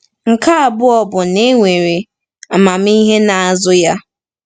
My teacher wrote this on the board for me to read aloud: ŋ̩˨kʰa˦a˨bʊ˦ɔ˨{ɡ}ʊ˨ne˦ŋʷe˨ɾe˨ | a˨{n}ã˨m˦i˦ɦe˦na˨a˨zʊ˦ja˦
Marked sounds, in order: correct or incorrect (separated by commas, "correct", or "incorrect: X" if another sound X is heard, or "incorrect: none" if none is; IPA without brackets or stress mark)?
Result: incorrect: b, incorrect: m